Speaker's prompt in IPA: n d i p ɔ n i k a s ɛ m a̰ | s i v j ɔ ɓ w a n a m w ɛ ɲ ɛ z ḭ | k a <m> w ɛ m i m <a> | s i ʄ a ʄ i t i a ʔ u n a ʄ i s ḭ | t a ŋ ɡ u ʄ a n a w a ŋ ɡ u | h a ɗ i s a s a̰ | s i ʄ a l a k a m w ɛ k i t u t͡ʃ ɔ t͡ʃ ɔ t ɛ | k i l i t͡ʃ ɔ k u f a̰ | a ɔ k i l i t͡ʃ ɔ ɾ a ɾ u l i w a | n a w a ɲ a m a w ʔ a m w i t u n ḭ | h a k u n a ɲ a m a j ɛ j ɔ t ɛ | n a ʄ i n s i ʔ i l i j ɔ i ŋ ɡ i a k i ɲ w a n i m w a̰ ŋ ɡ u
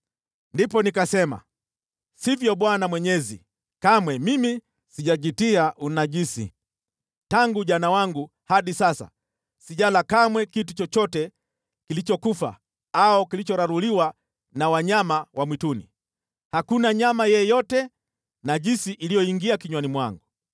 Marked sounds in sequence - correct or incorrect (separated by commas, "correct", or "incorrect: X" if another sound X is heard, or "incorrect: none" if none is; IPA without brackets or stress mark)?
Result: correct, incorrect: i